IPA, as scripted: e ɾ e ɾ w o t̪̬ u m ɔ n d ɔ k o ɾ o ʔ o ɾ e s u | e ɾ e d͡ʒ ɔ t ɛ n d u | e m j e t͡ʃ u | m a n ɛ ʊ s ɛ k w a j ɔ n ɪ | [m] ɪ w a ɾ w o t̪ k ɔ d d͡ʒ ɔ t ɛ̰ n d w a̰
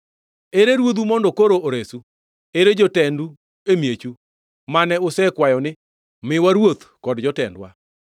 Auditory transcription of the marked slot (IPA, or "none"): m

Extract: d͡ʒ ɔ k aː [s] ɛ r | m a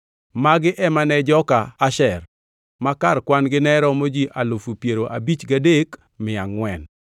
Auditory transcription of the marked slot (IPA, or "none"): ʃ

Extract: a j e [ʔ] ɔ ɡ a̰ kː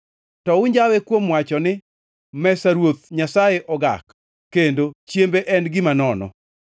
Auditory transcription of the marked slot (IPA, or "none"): ʔ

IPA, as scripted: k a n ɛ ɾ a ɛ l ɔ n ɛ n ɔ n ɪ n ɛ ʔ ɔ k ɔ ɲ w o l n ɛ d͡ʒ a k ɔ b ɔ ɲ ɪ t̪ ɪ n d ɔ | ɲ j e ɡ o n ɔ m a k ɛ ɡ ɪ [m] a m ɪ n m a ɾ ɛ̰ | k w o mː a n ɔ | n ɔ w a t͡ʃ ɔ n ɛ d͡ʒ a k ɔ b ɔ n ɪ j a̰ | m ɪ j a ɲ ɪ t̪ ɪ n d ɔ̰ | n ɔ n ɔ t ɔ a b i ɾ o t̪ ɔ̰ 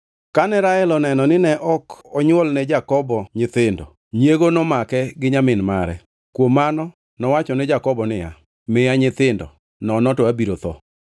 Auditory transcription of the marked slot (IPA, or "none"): ɲ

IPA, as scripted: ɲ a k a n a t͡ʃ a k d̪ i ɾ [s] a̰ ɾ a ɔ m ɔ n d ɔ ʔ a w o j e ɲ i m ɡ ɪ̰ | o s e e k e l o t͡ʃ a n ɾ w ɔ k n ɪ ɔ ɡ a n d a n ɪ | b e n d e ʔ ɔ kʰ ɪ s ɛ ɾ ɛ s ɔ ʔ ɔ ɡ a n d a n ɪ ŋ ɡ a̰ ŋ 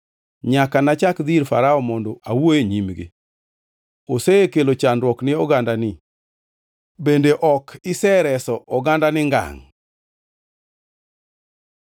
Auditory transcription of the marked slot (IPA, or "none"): f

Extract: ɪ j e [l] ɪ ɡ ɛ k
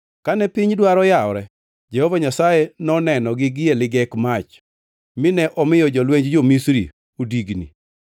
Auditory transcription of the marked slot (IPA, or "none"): l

